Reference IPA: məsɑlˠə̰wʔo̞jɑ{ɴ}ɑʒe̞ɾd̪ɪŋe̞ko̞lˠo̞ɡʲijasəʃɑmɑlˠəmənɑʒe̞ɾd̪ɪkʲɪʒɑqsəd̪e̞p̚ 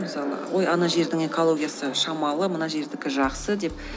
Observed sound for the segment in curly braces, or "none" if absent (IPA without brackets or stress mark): n